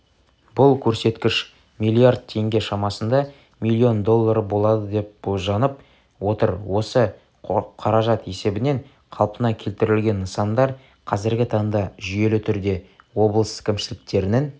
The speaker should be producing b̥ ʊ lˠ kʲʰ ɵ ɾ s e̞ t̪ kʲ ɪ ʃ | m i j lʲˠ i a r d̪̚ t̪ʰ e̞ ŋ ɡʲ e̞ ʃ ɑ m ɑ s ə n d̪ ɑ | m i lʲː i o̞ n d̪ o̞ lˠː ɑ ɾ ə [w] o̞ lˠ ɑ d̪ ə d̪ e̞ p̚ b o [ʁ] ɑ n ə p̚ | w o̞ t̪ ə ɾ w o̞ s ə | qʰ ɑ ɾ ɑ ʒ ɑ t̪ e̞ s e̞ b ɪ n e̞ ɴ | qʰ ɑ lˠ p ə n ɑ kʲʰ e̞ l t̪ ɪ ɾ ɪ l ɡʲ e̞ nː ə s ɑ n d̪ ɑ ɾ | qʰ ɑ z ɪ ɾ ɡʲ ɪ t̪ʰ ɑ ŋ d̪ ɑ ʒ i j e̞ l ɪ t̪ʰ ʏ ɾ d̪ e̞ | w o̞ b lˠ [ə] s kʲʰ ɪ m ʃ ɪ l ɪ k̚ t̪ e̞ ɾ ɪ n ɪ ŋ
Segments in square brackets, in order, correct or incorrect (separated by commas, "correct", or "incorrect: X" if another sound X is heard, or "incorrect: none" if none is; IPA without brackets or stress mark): incorrect: b, incorrect: ʒ, correct